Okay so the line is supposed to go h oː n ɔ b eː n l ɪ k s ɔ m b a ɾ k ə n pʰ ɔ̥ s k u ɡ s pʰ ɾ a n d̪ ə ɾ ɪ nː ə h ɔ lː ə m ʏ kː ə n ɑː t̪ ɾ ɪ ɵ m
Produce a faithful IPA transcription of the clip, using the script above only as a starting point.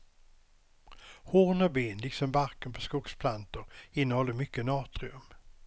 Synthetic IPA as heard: h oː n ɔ b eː n l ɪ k s ɔ m b a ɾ k ə n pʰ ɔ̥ s k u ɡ s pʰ l a n t̪ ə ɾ ɪ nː ə h ɔ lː ə m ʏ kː ə n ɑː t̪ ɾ ɪ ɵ m